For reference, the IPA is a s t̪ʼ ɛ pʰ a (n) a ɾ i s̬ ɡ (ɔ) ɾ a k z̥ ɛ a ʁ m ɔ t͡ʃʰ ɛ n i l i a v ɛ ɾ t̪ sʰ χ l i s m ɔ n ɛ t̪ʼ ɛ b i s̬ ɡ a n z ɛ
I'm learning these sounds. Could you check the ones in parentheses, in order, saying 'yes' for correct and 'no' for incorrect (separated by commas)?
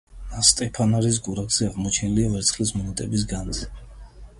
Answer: yes, no